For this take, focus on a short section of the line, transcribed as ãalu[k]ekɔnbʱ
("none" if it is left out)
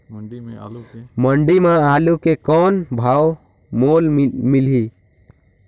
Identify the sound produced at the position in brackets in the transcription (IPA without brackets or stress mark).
k